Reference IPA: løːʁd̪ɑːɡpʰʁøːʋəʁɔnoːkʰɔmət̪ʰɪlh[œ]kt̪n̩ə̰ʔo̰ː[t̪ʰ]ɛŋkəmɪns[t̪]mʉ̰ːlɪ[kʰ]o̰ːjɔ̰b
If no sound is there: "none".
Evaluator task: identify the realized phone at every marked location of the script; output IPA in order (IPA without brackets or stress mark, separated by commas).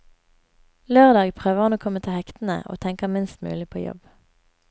ɛ, t̪ʰ, t̪, pʰ